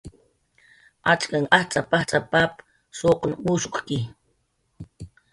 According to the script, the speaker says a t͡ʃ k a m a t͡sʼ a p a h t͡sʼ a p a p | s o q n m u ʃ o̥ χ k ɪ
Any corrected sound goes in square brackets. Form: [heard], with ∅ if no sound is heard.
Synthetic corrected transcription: a t͡ʃ k a [ŋ] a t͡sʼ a p a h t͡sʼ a p a p | s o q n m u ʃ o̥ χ k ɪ